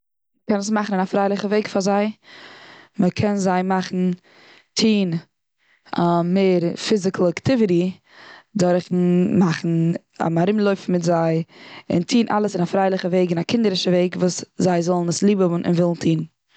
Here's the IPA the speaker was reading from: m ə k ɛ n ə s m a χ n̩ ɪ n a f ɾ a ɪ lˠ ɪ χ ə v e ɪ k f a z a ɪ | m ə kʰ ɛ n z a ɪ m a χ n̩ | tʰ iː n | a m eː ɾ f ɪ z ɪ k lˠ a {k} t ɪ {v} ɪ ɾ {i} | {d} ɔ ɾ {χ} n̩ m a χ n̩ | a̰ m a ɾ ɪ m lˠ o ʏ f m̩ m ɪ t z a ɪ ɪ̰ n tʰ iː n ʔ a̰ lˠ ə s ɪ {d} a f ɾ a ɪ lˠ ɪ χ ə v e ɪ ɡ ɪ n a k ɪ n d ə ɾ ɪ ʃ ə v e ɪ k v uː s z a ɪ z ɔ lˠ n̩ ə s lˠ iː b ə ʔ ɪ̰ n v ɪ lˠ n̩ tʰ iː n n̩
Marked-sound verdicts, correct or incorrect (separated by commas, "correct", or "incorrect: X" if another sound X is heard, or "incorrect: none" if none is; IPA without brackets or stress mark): correct, correct, correct, correct, correct, incorrect: n